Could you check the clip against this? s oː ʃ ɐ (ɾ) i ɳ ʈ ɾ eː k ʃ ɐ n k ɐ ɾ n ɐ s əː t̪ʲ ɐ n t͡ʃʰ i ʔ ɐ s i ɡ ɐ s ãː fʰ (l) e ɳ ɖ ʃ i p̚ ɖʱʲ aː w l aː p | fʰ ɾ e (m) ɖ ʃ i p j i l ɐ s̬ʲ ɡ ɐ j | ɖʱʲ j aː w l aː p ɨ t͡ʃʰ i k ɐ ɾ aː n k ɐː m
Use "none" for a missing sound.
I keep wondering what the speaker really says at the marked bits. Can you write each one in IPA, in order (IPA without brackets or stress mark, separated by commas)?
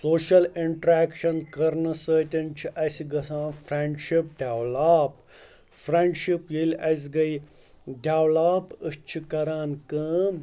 l, ɾ, ɳ